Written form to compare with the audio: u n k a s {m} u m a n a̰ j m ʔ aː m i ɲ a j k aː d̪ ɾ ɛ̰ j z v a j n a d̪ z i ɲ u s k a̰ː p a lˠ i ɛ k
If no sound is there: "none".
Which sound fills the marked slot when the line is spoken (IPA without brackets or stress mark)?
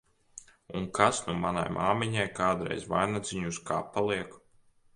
n